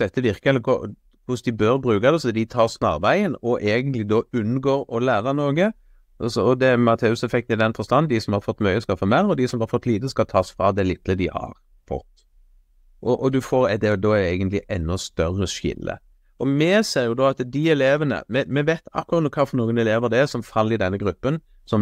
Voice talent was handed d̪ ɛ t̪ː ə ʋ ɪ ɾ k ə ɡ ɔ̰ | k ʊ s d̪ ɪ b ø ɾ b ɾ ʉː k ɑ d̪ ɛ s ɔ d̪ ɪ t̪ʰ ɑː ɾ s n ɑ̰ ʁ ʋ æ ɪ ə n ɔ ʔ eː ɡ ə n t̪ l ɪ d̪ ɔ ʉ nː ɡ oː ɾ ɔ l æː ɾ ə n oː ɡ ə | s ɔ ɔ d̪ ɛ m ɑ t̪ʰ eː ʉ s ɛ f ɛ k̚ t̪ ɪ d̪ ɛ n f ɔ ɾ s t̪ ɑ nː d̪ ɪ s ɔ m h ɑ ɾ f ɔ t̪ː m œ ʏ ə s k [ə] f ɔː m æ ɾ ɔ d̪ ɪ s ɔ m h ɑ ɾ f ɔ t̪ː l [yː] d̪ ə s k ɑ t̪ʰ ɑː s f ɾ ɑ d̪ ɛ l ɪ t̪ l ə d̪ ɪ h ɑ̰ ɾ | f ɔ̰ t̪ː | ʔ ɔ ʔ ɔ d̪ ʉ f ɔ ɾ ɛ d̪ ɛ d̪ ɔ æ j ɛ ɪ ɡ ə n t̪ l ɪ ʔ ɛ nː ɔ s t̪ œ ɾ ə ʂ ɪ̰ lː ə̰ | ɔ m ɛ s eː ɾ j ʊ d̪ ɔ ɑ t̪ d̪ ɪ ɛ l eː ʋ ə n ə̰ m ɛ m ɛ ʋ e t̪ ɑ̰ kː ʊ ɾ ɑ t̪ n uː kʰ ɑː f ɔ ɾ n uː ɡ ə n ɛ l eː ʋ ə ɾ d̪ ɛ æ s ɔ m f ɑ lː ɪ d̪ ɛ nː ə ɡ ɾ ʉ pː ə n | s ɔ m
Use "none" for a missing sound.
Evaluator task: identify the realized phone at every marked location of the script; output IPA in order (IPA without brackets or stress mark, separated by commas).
ɑ, iː